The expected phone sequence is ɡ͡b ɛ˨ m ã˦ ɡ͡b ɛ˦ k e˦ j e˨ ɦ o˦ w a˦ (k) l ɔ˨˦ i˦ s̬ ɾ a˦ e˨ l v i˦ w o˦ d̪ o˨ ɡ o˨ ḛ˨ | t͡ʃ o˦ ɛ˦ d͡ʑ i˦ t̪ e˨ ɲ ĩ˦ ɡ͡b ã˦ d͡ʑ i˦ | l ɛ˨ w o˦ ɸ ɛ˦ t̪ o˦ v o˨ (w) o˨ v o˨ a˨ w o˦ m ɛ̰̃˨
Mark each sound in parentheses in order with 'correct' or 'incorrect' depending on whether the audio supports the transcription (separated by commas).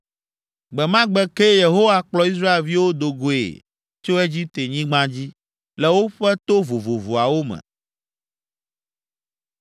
incorrect, incorrect